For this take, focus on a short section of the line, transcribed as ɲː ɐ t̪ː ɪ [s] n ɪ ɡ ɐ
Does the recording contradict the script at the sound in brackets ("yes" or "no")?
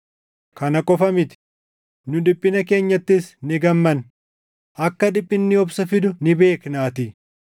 no